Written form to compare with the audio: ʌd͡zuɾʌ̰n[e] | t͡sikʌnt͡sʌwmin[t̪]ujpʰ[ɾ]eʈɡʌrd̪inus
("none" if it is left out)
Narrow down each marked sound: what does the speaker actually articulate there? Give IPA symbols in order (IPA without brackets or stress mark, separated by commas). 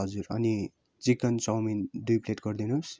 i, d̪, l